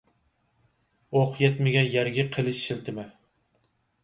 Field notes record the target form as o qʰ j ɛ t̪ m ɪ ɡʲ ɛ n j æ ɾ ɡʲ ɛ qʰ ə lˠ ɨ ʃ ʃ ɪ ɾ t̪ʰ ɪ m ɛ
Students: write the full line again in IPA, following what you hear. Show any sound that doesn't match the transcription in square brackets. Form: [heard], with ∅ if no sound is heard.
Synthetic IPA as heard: o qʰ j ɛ t̪ m ɪ ɡʲ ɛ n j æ ɾ ɡʲ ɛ qʰ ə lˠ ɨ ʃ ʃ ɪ [l] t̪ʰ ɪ m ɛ